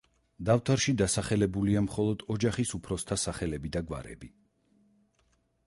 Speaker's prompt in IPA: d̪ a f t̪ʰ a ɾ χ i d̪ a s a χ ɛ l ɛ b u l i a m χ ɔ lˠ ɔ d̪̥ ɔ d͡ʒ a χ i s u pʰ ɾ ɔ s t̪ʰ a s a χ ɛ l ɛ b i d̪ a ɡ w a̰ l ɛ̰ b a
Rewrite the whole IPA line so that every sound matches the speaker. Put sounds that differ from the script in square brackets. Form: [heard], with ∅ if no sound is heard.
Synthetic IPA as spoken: d̪ a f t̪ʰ a ɾ [ʃ] i d̪ a s a χ ɛ l ɛ b u l i a m χ ɔ lˠ ɔ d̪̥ ɔ d͡ʒ a χ i s u pʰ ɾ ɔ s t̪ʰ a s a χ ɛ l ɛ b i d̪ a ɡ w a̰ [ɾ] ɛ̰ b [i]